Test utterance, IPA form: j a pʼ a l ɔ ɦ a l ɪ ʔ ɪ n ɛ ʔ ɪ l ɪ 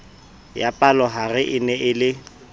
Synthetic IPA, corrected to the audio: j a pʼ a l ɔ ɦ a r ɪ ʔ ɪ n ɛ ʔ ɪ l ɪ